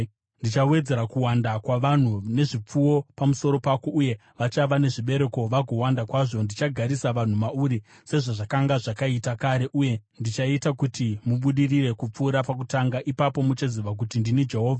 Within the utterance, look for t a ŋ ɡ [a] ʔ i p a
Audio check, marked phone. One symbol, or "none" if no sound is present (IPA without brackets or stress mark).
a